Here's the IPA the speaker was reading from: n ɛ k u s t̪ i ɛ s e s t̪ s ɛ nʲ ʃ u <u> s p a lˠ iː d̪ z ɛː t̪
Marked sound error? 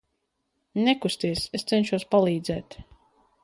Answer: yes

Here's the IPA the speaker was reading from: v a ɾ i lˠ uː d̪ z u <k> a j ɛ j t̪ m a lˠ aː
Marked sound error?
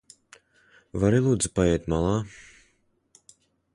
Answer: yes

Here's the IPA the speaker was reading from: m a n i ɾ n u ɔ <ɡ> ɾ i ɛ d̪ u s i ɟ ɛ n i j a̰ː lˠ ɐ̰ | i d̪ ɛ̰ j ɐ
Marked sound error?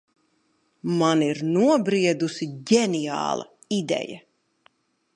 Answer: yes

